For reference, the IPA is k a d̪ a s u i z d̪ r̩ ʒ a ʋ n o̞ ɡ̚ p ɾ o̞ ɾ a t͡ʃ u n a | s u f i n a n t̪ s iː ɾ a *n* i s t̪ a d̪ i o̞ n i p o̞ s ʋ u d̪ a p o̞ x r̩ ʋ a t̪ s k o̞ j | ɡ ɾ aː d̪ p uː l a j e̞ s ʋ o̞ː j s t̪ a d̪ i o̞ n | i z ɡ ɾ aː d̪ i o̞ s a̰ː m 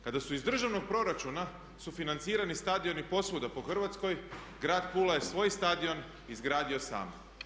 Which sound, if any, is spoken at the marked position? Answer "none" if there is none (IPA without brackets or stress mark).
n